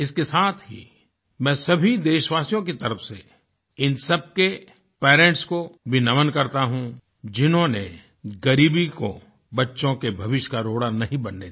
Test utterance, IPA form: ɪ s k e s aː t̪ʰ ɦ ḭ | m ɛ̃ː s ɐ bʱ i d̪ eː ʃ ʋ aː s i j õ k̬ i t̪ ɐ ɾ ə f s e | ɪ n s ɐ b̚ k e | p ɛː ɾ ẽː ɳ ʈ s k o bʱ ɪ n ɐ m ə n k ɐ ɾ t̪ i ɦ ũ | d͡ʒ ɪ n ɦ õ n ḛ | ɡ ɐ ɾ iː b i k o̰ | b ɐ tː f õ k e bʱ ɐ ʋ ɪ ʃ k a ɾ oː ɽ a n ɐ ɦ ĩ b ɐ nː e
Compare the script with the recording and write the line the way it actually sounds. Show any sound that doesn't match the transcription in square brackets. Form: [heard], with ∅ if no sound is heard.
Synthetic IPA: ɪ s k e s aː t̪ʰ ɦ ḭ | m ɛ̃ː s ɐ bʱ i d̪ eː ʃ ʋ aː s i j õ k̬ i t̪ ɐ ɾ ə f s e | ɪ n s ɐ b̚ k e | p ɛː ɾ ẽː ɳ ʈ s k o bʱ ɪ n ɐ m ə n k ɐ ɾ t̪ [a] ɦ ũ | d͡ʒ ɪ n ɦ õ n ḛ | ɡ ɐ ɾ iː b i k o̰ | b ɐ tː [ʃ] õ k e bʱ ɐ ʋ ɪ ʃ k a ɾ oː ɽ a n ɐ ɦ ĩ b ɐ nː e